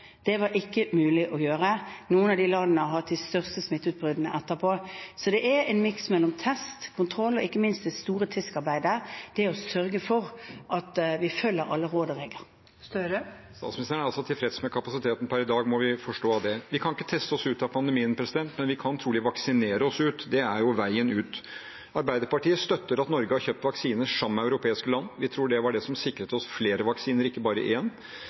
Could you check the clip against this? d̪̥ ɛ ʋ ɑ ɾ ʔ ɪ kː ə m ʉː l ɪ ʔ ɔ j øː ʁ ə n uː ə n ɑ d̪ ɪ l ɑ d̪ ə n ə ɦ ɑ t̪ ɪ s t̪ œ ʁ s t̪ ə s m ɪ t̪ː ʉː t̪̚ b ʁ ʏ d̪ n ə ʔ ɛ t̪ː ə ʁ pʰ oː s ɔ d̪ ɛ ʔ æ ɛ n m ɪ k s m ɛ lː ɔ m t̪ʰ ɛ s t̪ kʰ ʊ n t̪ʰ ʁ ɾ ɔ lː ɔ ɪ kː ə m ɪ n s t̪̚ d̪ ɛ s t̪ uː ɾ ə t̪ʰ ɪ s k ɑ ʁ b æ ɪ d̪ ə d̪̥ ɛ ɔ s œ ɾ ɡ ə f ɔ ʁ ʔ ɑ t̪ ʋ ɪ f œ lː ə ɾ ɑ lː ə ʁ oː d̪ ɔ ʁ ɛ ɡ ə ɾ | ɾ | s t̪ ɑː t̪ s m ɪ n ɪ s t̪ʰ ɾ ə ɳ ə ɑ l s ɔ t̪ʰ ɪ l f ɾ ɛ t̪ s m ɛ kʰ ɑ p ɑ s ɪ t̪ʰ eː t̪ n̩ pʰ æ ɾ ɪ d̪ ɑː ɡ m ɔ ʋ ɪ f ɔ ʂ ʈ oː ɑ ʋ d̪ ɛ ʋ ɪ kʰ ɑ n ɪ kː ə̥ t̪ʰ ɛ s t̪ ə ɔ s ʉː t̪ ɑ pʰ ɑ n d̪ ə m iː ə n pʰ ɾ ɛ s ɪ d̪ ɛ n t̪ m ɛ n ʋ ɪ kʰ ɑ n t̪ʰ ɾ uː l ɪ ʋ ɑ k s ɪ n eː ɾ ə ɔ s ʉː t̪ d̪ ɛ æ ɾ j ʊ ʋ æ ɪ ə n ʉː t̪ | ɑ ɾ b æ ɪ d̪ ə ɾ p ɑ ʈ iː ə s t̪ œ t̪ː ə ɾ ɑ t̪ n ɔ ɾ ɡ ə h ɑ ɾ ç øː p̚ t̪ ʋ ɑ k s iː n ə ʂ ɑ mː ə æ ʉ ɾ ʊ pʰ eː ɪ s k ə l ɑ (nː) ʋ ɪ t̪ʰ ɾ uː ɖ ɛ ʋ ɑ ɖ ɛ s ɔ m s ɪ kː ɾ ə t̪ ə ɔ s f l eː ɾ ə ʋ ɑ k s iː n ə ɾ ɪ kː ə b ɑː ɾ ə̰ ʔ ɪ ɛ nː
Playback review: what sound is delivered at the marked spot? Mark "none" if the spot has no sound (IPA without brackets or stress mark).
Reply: nː